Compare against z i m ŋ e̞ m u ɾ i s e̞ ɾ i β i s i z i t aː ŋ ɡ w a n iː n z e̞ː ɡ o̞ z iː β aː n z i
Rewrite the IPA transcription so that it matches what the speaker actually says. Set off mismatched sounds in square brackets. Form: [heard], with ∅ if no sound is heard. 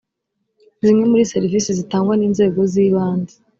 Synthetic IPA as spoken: z i m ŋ e̞ m u ɾ i s e̞ ɾ i [v] i s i z i t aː ŋ ɡ w a n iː n z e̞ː ɡ o̞ z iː β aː n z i